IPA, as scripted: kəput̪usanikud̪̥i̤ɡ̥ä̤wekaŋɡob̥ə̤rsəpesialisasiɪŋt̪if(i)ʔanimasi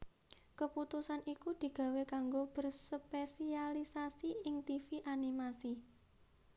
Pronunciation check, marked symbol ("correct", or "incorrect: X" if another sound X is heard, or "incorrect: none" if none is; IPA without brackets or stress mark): correct